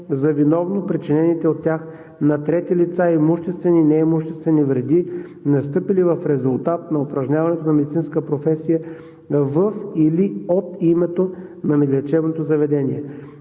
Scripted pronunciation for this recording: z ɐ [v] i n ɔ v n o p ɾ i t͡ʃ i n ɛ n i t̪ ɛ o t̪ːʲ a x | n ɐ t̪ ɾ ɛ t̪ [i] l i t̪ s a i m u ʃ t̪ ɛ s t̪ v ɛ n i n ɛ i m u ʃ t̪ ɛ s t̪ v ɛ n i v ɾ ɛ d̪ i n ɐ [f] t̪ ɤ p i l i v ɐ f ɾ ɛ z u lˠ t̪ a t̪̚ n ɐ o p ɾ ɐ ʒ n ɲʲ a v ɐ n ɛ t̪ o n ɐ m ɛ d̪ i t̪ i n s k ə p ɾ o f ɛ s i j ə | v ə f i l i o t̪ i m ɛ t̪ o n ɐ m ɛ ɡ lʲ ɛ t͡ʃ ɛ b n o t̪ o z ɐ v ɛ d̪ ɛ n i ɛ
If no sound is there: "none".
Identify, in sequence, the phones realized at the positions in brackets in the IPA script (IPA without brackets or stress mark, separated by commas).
v, i, s